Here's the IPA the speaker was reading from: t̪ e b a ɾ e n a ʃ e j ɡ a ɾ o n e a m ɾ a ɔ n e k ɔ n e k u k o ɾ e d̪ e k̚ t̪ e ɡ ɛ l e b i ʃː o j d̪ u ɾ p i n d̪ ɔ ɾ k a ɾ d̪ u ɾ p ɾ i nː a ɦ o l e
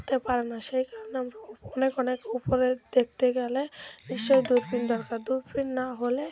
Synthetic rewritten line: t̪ e p a ɾ e n a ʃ e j k a ɾ o n e a m ɾ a ɔ n e k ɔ n e k u p o ɾ e d̪ e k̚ t̪ e ɡ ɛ l e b i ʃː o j d̪ u ɾ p i n d̪ ɔ ɾ k a ɾ d̪ u ɾ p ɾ i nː a ɦ o l e